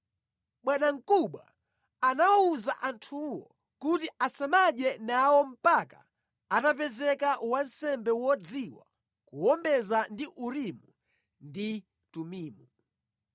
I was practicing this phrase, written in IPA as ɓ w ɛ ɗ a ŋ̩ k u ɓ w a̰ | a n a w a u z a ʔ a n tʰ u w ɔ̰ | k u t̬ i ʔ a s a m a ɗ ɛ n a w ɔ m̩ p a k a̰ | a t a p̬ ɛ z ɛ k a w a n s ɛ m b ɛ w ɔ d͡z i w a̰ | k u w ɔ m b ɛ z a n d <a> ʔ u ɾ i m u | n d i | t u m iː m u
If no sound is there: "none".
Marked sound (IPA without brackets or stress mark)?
i